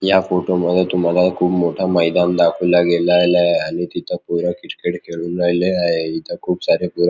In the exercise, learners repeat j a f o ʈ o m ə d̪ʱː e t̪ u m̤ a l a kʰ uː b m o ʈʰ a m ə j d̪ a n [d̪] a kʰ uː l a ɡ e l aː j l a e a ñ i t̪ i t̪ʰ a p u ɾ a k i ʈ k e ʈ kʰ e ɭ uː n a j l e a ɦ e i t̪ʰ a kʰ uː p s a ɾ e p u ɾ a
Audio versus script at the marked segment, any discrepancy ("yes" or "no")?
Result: no